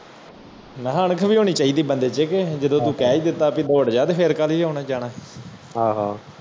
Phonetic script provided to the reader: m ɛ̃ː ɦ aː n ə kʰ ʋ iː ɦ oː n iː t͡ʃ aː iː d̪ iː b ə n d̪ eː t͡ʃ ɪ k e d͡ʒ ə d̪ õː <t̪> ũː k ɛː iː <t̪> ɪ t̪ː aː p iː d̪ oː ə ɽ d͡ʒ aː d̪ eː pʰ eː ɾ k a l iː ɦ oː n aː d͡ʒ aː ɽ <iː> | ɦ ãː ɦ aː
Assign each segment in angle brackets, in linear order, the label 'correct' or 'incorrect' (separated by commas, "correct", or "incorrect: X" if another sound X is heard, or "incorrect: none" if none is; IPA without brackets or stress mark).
correct, incorrect: d̪, incorrect: aː